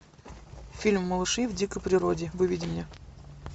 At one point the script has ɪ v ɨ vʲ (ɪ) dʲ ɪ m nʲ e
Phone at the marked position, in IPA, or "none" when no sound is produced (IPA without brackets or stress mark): i